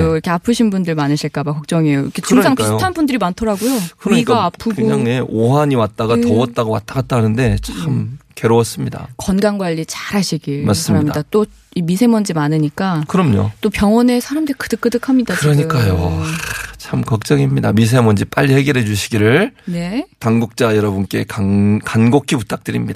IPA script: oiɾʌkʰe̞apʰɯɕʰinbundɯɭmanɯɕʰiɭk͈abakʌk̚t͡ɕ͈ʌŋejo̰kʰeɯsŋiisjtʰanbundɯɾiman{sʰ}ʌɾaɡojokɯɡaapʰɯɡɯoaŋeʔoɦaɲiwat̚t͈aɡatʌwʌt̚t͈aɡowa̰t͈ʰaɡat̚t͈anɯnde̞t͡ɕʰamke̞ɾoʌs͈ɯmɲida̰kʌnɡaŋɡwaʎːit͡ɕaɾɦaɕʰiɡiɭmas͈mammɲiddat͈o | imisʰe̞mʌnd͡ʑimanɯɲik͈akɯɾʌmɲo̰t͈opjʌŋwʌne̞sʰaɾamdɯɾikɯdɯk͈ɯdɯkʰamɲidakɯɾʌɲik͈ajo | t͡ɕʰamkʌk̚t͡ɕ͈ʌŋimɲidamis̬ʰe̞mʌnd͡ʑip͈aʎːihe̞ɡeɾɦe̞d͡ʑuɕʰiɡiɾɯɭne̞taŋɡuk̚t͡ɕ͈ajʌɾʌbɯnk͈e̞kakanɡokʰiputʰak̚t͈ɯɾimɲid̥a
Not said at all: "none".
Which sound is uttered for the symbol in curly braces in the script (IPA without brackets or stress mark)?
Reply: tʰ